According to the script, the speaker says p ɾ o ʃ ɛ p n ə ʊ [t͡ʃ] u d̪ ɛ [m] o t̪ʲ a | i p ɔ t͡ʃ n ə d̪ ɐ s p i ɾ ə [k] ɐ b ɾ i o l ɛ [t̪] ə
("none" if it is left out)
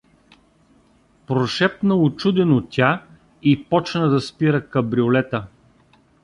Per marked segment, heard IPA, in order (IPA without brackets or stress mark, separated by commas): t͡ʃ, n, k, t̪